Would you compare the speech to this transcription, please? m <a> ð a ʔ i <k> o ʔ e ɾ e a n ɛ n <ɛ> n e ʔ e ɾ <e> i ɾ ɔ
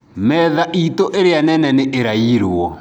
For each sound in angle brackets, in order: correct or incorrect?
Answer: incorrect, incorrect, correct, incorrect

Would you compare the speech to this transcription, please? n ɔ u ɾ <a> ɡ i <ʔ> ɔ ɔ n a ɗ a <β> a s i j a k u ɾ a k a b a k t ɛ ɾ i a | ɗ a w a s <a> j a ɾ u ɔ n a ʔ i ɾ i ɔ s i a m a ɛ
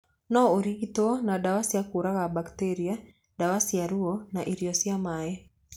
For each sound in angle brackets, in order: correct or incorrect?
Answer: incorrect, incorrect, incorrect, incorrect

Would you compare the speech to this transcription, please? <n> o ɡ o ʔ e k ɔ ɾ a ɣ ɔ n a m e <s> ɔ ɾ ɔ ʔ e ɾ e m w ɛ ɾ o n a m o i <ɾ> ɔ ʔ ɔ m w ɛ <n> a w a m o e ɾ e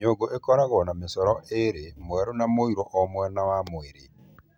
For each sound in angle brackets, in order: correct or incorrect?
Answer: incorrect, correct, correct, correct

